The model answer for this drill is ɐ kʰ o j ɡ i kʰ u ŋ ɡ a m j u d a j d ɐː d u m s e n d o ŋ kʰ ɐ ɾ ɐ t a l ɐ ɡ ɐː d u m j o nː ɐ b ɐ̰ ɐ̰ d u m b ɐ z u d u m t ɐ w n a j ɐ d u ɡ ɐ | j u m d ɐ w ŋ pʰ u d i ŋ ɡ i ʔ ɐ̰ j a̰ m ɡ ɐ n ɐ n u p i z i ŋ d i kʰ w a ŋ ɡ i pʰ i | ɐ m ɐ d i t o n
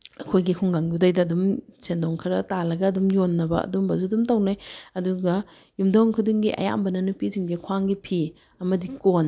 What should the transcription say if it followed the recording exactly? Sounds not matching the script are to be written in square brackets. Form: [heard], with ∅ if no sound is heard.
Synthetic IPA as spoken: ɐ kʰ o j ɡ i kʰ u ŋ ɡ a [ŋ] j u d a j d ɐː d u m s e n d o ŋ kʰ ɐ ɾ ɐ t a l ɐ ɡ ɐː d u m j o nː ɐ b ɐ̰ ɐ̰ d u m b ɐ z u d u m t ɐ w n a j ɐ d u ɡ ɐ | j u m d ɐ w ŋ [kʰ] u d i ŋ ɡ i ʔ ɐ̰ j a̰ m [b] ɐ n ɐ n u p i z i ŋ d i kʰ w a ŋ ɡ i pʰ i | ɐ m ɐ d i [k] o n